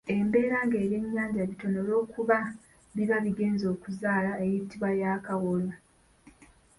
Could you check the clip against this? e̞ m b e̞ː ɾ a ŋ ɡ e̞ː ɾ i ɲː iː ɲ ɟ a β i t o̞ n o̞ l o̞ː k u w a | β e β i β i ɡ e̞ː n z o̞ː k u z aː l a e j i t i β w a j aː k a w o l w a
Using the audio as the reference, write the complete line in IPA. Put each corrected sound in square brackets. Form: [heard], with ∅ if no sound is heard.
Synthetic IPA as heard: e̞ m b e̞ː ɾ a ŋ ɡ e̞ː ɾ [e] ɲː [aː] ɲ ɟ a β i t o̞ n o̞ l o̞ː k u [β] a | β [i] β [a] β i ɡ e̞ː n z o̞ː k u z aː l a e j i t i β w a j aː k a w o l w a

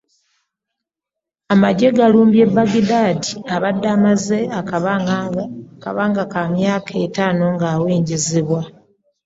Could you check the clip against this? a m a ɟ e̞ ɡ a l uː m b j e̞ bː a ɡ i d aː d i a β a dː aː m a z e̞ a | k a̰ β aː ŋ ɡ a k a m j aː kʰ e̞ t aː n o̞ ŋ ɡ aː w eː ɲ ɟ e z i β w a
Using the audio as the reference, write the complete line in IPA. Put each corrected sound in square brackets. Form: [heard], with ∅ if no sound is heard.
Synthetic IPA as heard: a m a ɟ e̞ ɡ a l uː m b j e̞ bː a ɡ i d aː d i a β a dː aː m a z e̞ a | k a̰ β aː ŋ ɡ a k a m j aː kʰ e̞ t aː n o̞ ŋ ɡ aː w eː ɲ ɟ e z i β w a

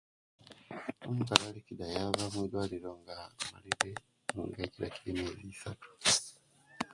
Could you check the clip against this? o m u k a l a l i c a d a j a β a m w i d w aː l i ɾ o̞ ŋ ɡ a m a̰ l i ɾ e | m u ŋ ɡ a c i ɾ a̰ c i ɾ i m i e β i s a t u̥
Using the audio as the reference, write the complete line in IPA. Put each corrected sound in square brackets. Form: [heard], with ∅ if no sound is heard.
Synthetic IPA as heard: o m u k a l a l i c [i] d a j a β a m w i d w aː l i ɾ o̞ ŋ ɡ a m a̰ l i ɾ e | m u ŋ ɡ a c i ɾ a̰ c i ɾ i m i e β i s a t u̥

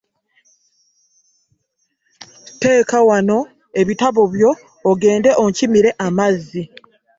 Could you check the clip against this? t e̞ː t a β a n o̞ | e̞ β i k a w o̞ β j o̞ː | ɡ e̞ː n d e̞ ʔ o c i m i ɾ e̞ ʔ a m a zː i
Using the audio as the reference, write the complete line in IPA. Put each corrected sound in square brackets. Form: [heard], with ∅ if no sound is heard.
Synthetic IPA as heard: t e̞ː [k] a [w] a n o̞ | e̞ β i [t] a [β] o̞ β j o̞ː | ɡ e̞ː n d e̞ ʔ o c i m i ɾ e̞ ʔ a m a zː i

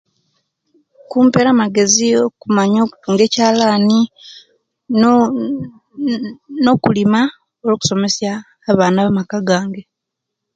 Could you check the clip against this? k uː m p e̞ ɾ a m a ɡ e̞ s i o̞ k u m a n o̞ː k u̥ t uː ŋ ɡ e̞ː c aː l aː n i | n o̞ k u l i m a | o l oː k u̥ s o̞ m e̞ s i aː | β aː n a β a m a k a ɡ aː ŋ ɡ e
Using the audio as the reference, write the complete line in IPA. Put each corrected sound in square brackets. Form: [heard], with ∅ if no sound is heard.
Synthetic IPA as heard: k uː m p e̞ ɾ a m a ɡ e̞ [z] i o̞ k u m a [ɲ] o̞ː k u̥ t uː ŋ ɡ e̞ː c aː l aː n i | n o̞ k u l i m a | o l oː k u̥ s o̞ m e̞ s [j] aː | β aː n a β a m a k a ɡ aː ŋ ɡ e

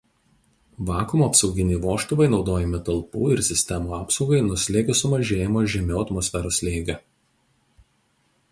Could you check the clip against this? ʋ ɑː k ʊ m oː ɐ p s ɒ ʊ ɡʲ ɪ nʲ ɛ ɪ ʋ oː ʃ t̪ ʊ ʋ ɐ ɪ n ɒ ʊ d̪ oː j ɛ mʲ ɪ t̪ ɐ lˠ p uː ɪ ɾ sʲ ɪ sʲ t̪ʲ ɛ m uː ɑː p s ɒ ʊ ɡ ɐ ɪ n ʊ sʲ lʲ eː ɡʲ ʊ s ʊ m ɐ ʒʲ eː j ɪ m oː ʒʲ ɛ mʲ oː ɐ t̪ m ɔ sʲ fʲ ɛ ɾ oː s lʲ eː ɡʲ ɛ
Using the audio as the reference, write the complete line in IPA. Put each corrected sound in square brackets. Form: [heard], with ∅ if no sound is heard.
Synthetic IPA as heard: ʋ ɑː k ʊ m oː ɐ p s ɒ ʊ ɡʲ ɪ nʲ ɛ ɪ ʋ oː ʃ t̪ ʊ ʋ ɐ ɪ n ɒ ʊ d̪ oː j ɛ mʲ ɪ t̪ ɐ lˠ p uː ɪ ɾ sʲ ɪ sʲ t̪ʲ ɛ m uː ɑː p s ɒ ʊ ɡ ɐ ɪ n ʊ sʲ lʲ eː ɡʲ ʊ s ʊ m ɐ ʒʲ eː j ɪ m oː ʒʲ ɛ mʲ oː ɐ t̪ m ɔ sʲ fʲ ɛ ɾ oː s lʲ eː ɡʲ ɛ

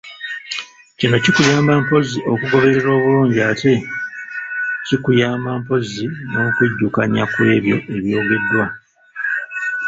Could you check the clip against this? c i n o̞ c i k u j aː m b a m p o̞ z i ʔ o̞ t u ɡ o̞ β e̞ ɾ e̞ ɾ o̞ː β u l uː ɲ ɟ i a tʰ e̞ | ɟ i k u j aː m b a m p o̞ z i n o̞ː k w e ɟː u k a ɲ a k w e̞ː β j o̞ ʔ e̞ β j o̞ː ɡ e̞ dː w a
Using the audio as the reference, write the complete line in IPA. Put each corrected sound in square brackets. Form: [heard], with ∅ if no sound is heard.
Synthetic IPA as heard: c i n o̞ c i k u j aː m b a m p o̞ z i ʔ o̞ [k] u ɡ o̞ β e̞ ɾ e̞ ɾ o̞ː β u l uː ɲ ɟ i a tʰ e̞ | [c] i k u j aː m b a m p o̞ z i n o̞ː k w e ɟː u k a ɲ a k w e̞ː β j o̞ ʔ e̞ β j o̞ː ɡ e̞ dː w a

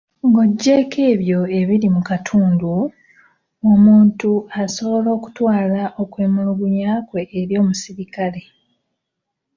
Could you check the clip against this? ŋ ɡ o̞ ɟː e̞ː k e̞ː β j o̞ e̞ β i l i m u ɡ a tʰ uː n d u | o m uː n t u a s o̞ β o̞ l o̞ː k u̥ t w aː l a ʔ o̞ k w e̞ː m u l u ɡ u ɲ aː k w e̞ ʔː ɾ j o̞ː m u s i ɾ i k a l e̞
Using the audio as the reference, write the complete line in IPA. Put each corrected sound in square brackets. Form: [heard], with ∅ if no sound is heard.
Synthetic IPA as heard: ŋ ɡ o̞ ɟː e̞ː k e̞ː β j o̞ e̞ β i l i m u [k] a tʰ uː n d u | o m uː n t u a s o̞ β o̞ l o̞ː k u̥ t w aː l a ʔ o̞ k w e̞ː m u l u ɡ u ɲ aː k w e̞ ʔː ɾ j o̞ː m u s i ɾ i k a l e̞

